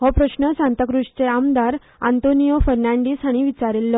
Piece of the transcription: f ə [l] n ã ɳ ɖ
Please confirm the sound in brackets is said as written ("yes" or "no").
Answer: no